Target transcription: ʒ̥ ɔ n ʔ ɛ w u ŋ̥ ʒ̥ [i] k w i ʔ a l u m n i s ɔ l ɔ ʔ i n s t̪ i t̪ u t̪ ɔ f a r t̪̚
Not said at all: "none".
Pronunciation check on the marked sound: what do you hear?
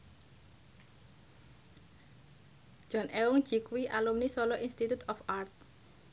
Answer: i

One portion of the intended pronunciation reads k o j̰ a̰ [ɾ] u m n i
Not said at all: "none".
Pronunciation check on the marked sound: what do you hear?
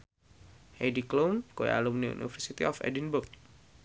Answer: l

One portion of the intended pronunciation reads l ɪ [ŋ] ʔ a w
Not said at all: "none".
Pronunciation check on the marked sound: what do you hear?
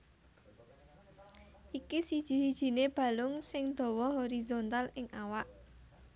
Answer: ŋ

